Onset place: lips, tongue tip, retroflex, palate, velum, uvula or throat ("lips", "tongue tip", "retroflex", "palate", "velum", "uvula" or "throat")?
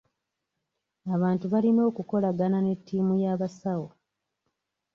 lips